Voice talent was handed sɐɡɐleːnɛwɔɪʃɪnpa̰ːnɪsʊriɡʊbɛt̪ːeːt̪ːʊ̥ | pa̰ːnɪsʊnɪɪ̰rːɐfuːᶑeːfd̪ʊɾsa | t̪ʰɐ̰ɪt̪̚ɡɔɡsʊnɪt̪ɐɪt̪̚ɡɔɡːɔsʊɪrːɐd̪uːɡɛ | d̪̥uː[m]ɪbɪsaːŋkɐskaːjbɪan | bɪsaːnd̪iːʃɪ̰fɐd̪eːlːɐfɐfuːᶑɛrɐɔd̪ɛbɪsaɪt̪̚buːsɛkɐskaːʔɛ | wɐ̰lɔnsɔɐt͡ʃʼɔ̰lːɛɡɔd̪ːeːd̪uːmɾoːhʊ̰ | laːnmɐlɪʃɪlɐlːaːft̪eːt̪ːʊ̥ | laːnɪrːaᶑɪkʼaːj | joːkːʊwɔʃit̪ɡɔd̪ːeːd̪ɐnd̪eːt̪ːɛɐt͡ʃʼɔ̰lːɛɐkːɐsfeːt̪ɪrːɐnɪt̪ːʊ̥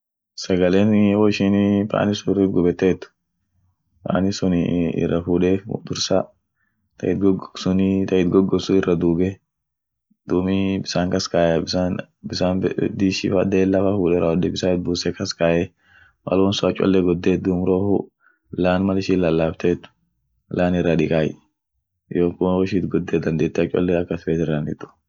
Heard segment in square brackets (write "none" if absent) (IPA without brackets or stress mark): m